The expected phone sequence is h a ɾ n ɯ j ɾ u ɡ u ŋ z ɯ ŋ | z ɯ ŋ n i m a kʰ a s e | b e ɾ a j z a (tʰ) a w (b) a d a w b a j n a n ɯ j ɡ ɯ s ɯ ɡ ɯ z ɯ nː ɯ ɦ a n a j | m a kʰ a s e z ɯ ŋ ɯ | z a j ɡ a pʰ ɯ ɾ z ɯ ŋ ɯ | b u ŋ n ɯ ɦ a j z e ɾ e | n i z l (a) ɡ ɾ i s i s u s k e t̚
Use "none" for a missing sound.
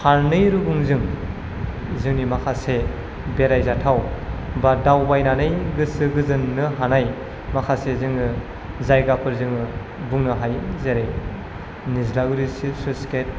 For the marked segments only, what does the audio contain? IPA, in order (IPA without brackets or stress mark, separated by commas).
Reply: tʰ, b, a